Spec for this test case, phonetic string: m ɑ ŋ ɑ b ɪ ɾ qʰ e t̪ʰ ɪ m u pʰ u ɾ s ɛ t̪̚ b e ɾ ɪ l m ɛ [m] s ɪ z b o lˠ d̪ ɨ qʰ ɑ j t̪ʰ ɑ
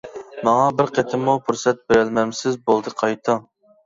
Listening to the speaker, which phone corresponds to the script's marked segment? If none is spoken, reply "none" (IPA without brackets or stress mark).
m